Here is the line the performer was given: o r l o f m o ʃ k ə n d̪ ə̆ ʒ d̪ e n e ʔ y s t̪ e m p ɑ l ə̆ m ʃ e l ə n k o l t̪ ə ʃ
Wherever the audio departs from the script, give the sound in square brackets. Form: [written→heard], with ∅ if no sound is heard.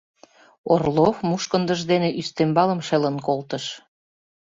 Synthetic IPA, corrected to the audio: o r l o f m [o→u] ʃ k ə n d̪ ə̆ ʒ d̪ e n e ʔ y s t̪ e m [p→b] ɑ l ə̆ m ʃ e l ə n k o l t̪ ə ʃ